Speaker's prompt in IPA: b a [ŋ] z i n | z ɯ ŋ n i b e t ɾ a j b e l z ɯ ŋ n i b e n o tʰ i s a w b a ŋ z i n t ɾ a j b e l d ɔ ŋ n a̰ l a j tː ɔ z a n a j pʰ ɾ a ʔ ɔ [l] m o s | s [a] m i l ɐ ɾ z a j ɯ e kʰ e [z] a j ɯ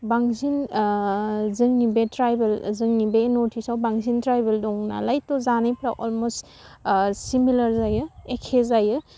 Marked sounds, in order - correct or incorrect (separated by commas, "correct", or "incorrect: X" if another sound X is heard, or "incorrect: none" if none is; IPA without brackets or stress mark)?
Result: correct, correct, incorrect: i, correct